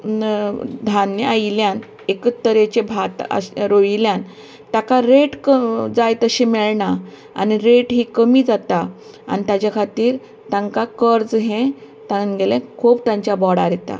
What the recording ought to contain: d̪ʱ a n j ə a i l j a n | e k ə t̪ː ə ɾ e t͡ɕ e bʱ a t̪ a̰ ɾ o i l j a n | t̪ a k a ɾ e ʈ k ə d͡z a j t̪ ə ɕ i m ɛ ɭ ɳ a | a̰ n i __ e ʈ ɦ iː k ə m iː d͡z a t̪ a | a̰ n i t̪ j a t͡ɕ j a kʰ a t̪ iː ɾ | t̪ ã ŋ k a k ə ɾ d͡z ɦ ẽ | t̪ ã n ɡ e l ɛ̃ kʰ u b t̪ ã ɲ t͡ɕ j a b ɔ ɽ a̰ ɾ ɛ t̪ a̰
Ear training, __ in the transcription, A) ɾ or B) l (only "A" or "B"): A